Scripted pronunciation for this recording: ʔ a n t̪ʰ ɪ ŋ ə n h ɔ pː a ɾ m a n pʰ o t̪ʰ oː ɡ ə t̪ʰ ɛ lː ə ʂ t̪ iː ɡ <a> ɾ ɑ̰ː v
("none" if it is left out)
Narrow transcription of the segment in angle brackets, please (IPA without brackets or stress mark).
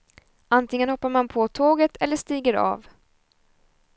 ə